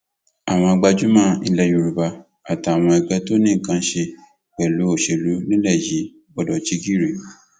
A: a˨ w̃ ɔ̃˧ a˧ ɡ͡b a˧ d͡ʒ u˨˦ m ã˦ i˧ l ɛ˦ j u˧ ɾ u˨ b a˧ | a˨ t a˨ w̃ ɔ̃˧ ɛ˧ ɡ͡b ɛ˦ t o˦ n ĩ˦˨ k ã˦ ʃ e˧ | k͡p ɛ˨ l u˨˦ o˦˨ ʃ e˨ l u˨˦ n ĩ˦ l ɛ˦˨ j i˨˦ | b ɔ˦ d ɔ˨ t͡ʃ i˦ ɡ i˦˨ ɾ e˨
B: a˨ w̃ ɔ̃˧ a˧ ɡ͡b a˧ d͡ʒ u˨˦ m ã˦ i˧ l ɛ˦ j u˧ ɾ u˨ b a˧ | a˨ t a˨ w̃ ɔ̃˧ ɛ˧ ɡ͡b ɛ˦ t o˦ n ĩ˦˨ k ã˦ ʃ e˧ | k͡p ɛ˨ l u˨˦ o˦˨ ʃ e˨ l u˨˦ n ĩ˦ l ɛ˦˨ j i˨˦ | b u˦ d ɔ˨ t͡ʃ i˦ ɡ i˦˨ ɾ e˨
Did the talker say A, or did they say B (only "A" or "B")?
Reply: A